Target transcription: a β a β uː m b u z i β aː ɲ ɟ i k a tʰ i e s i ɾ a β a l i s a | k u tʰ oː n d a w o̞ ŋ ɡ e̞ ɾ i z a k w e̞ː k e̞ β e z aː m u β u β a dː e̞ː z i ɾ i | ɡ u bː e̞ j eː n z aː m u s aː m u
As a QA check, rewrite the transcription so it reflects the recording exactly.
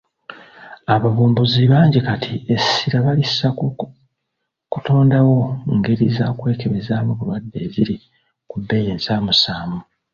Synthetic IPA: a β a β uː m b u z i β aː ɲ ɟ i k a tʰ i e s i ɾ a β a l i s a | k u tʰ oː n d a w o̞ ŋ ɡ e̞ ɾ i z a k w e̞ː k e̞ β e z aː m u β u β a dː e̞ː z i ɾ i | k u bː e̞ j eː n z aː m u s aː m u